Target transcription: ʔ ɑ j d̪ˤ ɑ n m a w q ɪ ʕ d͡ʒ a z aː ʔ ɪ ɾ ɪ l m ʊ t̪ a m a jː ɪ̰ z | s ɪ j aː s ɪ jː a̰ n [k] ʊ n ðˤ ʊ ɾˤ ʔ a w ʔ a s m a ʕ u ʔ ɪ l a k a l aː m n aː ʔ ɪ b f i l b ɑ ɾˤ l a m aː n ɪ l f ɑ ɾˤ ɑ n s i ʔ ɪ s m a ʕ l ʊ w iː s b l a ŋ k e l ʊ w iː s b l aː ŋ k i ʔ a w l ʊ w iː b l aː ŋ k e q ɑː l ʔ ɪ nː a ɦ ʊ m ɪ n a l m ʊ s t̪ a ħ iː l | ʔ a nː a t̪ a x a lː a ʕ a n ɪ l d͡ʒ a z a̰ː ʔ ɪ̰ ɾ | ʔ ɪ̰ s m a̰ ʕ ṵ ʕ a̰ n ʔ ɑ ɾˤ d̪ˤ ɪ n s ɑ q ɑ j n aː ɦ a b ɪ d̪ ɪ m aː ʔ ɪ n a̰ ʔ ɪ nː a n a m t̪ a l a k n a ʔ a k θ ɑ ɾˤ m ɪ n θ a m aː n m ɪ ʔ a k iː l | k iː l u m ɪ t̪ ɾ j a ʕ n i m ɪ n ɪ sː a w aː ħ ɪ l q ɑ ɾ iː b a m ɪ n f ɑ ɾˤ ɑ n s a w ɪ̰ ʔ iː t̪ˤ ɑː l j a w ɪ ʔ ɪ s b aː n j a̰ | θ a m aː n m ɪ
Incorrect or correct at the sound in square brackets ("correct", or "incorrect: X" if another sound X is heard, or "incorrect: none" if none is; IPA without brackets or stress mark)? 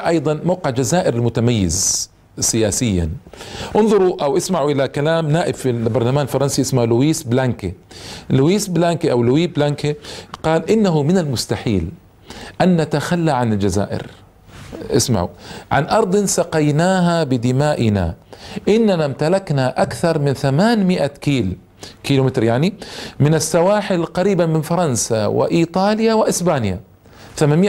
incorrect: ʔ